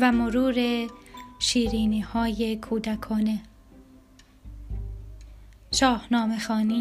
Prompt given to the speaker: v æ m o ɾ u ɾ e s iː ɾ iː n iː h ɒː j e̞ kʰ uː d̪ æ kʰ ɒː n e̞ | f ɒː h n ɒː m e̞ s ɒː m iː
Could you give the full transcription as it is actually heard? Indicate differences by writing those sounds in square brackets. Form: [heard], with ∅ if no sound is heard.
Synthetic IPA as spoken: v æ m o ɾ [uː] ɾ e [ʃ] iː ɾ iː n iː h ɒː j e̞ kʰ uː d̪ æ kʰ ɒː n e̞ | [ʃ] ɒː h n ɒː m e̞ [x] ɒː [n] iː